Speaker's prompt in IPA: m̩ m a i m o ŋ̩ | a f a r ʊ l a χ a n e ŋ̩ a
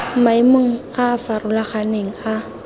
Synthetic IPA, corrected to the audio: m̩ m a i m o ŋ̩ | a f a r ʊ l a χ a n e ŋ̩ a

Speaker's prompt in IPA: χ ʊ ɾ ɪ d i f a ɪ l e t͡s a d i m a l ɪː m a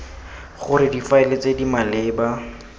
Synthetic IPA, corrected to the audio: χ ʊ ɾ ɪ d i f a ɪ l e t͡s e d i m a l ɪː b a

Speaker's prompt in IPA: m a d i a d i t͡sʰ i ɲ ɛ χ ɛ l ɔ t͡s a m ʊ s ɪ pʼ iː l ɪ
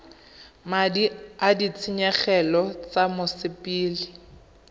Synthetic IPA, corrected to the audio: m a d i a d i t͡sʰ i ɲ ɛ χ ɛ l ɔ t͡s a m ʊ s ɪ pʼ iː l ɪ

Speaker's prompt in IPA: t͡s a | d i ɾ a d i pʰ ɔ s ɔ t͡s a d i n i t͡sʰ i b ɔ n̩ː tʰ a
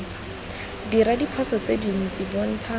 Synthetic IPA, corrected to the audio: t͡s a | d i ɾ a d i pʰ ɔ s ɔ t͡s e d i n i t͡s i b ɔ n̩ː tʰ a

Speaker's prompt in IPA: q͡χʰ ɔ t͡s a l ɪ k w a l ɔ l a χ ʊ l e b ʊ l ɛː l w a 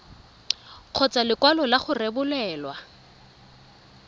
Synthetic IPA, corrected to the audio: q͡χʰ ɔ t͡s a l ɪ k w a l ɔ l a χ ʊ r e b ʊ l ɛː l w a

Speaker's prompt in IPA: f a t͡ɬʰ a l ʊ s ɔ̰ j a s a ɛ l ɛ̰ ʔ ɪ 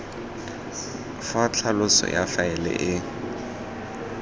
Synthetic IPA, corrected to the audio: f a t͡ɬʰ a l ʊ s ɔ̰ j a f a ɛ l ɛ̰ ʔ ɪ

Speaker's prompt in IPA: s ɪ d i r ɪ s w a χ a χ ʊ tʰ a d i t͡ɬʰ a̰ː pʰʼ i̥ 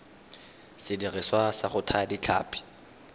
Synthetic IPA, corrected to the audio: s ɪ d i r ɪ s w a s a χ ʊ tʰ a d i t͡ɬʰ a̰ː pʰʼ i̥

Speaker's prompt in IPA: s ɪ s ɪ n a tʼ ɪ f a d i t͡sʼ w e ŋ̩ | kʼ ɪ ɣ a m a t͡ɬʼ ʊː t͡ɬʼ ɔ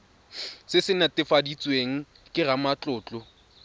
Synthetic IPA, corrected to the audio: s ɪ s ɪ n a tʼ ɪ f a d i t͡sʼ w e ŋ̩ | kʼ ɪ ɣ a m a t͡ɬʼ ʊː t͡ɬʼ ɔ

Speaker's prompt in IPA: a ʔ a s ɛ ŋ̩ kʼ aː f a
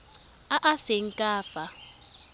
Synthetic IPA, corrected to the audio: a ʔ a s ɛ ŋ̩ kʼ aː f a

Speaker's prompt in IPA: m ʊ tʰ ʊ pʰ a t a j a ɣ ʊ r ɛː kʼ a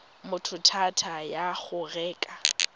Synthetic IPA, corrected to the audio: m ʊ tʰ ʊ tʰ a tʰ a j a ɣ ʊ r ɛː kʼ a

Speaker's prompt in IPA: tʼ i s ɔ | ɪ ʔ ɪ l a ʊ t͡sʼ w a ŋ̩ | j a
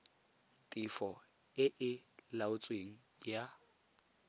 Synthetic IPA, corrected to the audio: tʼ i f ɔ | ɪ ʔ ɪ l a ʊ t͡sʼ w e ŋ̩ | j a

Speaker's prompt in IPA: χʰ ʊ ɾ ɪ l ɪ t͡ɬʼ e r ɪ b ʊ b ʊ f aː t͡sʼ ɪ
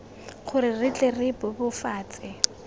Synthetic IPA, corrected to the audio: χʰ ʊ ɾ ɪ r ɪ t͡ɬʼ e r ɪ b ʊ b ʊ f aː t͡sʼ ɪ

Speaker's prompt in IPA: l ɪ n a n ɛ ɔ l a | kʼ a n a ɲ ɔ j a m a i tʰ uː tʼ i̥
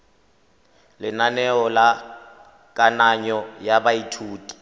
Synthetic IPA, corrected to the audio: l ɪ n a n ɛ ɔ l a | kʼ a n a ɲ ɔ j a b a i tʰ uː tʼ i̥

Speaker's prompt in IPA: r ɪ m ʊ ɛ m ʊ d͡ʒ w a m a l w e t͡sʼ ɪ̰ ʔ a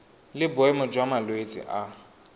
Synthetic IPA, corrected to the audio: l ɪ b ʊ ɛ m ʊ d͡ʒ w a m a l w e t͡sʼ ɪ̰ ʔ a

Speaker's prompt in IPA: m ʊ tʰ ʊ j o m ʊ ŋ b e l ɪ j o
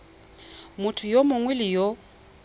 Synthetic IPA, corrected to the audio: m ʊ tʰ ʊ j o m ʊ ŋ w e l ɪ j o

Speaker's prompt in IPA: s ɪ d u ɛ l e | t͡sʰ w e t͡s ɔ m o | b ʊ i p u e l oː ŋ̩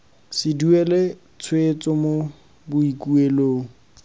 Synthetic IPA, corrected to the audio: s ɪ d u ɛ l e | t͡sʰ w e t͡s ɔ m o | b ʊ i k u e l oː ŋ̩

